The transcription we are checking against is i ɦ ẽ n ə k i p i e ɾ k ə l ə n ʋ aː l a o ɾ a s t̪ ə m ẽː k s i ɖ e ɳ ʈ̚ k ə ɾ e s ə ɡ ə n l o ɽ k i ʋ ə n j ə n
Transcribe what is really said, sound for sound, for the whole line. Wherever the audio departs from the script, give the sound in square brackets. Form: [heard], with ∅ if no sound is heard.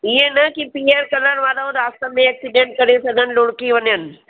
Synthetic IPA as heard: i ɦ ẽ n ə k i p i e ɾ k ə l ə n ʋ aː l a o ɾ a s t̪ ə m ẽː k s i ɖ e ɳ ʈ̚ k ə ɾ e s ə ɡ ə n l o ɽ k i ʋ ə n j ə n